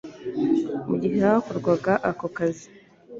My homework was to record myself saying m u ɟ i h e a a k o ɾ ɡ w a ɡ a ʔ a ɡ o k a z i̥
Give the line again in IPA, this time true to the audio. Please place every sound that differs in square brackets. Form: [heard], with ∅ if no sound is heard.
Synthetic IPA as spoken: m u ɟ i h e a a k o ɾ ɡ w a ɡ a ʔ a [k] o k a z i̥